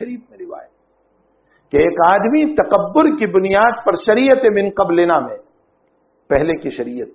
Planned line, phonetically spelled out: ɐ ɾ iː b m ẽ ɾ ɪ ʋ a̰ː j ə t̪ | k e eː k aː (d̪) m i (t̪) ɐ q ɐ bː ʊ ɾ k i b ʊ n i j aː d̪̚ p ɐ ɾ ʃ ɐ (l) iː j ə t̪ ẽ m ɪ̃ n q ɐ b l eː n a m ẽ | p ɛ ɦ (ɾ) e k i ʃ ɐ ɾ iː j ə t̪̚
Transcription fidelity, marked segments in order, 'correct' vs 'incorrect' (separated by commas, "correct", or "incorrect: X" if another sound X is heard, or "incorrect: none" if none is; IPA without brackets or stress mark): correct, correct, incorrect: ɾ, incorrect: l